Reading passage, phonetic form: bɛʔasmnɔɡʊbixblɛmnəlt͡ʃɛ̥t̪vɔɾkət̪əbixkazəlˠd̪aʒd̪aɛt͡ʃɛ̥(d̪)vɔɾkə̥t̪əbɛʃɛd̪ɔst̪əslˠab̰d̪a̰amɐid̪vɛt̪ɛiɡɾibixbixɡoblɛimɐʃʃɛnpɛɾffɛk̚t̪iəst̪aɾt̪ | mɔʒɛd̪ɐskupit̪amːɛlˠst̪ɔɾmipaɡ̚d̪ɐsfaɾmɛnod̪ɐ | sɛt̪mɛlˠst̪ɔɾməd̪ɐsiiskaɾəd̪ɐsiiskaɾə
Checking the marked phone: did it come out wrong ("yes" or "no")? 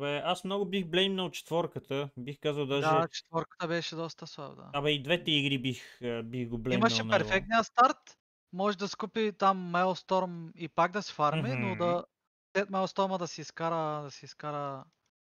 yes